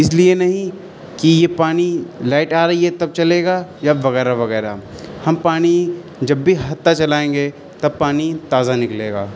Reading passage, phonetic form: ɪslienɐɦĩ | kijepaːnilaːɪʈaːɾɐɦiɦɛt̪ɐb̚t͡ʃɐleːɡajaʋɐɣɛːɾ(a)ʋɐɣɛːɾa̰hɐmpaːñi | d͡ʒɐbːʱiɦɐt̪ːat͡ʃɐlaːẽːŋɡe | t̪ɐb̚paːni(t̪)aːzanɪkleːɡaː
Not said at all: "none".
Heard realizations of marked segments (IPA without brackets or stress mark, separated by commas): a, t̪